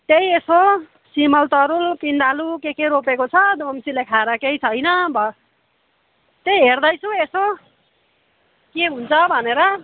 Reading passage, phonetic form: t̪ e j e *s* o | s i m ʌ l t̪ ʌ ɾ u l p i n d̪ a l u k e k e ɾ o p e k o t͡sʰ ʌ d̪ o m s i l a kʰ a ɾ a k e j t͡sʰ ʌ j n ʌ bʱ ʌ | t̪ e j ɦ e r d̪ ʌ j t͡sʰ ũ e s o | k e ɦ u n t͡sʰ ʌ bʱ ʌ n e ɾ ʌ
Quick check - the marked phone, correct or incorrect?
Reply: correct